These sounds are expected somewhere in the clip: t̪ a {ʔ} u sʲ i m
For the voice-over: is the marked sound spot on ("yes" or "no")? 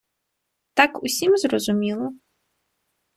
no